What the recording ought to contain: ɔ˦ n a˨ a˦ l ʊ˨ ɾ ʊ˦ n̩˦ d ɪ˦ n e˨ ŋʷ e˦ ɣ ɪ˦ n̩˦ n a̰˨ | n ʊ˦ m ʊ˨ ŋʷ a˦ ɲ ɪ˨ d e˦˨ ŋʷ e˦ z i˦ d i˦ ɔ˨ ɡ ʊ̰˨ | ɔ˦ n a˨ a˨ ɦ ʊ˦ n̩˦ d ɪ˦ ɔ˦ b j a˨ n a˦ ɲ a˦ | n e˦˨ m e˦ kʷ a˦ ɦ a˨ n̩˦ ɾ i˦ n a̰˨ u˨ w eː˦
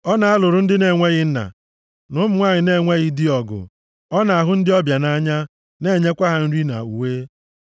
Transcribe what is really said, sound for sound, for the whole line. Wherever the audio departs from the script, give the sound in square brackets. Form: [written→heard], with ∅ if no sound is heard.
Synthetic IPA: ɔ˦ n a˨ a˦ l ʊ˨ ɾ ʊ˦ n̩˦ d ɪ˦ n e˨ ŋʷ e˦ ɣ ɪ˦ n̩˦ n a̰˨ | n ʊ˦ m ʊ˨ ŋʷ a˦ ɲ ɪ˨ [d→n] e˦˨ ŋʷ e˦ [z→ɣ] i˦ d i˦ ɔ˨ ɡ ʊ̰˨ | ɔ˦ n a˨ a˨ ɦ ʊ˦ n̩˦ d ɪ˦ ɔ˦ b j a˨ n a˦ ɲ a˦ | n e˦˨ [m→ɲ] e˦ kʷ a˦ ɦ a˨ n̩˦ ɾ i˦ n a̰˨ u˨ w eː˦